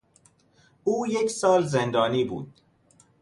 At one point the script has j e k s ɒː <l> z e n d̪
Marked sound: correct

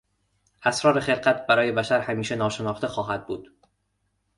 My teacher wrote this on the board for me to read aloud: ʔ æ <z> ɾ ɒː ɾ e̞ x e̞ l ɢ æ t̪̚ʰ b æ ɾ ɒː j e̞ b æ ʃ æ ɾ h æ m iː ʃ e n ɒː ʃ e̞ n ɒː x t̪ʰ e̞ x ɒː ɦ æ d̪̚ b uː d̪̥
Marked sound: incorrect: s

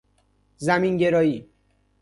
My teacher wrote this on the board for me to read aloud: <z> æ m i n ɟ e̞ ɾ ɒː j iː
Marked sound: correct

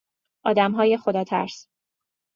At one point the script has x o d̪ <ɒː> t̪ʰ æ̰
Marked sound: correct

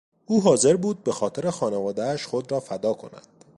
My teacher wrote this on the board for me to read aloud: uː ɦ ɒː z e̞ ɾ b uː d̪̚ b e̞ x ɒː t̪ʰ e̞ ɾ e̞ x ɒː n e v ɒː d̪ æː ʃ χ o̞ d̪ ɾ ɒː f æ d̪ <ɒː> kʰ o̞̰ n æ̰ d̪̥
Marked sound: correct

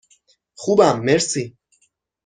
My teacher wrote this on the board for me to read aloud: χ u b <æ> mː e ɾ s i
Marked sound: incorrect: a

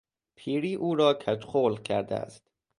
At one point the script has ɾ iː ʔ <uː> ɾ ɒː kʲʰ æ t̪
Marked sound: correct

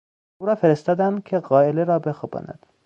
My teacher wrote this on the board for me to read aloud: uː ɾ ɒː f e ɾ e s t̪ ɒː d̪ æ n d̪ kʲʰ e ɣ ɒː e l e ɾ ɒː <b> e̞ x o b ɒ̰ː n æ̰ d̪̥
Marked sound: correct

